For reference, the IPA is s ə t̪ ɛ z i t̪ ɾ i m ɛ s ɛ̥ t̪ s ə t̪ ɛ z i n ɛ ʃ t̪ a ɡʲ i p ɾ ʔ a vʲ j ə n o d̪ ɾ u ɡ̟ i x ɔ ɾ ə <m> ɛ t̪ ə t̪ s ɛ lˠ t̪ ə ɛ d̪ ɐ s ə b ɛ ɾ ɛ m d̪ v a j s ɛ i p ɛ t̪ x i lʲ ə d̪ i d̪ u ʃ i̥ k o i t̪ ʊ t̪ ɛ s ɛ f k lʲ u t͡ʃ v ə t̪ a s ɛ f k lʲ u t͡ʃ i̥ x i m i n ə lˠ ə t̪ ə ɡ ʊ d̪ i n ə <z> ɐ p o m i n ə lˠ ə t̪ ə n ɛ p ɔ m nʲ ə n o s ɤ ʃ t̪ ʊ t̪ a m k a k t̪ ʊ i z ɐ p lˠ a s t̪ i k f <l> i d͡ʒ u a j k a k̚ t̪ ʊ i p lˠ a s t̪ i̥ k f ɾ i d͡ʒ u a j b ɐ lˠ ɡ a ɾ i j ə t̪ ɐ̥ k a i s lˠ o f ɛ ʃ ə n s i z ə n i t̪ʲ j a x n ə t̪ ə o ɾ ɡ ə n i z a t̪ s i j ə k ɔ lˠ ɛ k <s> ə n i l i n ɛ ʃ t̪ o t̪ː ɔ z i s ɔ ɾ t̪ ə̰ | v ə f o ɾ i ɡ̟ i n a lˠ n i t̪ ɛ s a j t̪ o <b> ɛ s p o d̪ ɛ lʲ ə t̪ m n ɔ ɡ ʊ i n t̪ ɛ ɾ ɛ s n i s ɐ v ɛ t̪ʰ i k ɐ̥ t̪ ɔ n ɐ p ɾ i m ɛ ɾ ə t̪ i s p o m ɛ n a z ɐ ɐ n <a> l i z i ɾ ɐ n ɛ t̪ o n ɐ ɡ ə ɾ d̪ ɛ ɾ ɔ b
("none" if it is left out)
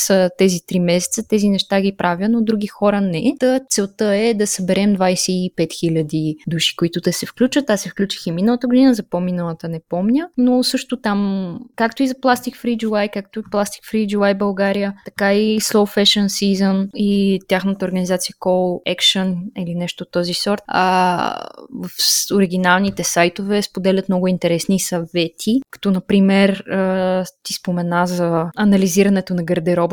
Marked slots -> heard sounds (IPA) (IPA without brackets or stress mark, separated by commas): n, z, ɾ, ʃ, v, ɐ